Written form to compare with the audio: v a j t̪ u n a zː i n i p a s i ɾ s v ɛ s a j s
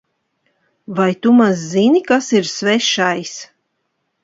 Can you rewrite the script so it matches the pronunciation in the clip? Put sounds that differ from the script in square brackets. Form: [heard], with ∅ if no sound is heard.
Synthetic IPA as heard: v a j t̪ u [m] a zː i n i [k] a s i ɾ s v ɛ [ʃ] a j s